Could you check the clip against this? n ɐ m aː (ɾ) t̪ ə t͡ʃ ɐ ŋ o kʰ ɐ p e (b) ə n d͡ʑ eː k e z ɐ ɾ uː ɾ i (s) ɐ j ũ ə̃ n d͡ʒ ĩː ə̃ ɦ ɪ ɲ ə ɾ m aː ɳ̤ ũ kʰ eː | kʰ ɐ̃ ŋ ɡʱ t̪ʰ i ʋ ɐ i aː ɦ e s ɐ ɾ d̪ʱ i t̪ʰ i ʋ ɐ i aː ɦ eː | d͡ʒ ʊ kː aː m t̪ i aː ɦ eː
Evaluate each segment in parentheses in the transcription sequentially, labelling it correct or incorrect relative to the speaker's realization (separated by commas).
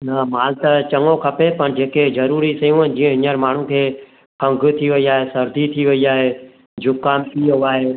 incorrect, incorrect, correct